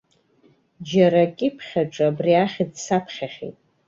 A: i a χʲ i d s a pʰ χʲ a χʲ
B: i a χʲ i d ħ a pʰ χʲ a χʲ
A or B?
A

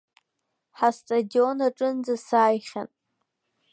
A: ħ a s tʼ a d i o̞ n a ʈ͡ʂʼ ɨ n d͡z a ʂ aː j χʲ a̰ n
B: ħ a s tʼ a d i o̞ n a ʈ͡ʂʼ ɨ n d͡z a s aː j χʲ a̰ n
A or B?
B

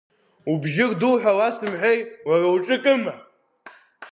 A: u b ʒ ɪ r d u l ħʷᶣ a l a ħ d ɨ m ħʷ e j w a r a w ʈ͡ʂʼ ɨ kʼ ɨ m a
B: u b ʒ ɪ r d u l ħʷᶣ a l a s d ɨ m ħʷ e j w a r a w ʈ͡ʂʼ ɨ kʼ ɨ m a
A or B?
B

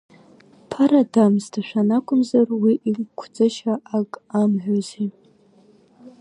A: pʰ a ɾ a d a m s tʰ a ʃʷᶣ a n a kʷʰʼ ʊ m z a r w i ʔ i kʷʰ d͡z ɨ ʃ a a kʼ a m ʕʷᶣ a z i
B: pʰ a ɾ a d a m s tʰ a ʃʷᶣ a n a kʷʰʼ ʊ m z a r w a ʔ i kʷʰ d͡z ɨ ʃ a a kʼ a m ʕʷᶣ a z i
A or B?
A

